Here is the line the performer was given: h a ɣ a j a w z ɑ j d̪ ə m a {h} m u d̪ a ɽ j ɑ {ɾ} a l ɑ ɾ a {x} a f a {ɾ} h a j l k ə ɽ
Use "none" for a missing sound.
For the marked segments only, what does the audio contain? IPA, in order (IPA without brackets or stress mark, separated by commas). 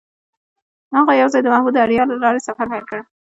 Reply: h, l, s, ɾ